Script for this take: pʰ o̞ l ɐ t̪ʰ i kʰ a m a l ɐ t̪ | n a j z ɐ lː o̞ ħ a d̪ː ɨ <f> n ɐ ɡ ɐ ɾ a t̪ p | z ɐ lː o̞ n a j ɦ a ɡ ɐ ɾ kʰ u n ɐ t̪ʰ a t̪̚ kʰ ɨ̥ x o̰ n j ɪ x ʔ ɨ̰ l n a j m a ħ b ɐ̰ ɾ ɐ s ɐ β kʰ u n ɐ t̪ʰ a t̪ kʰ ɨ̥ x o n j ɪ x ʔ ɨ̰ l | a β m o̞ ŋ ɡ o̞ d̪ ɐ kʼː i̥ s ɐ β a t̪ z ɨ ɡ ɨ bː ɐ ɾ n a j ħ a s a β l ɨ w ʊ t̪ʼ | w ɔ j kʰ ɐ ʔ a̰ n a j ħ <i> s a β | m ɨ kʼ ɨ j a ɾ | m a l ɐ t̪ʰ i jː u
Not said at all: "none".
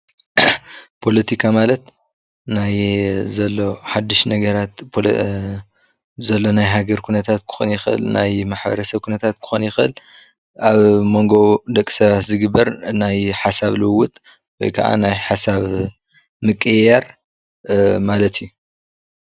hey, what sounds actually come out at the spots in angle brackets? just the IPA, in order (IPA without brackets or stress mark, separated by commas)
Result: ʃ, a